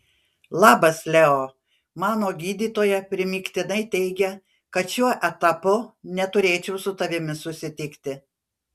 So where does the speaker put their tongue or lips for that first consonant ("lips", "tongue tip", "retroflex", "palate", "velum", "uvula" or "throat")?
tongue tip